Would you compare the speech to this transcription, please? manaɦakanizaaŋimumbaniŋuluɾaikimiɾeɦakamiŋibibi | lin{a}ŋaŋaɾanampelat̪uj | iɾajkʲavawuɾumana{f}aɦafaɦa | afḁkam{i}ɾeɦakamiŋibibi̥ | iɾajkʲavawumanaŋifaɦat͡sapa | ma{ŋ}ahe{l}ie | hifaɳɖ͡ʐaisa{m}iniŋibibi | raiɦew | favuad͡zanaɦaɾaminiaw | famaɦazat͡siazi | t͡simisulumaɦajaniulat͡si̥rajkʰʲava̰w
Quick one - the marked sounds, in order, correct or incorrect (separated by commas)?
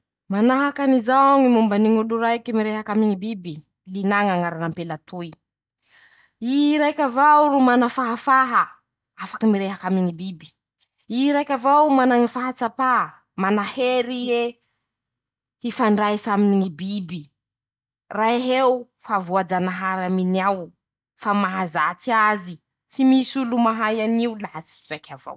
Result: correct, correct, correct, incorrect, incorrect, correct